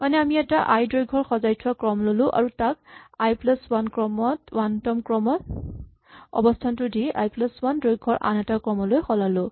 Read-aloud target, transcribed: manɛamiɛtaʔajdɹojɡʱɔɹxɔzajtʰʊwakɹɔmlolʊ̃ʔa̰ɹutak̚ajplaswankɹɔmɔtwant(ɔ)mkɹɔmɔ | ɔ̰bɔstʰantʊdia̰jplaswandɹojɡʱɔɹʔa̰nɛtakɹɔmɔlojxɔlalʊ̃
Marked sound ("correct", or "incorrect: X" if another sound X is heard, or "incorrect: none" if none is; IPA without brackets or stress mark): correct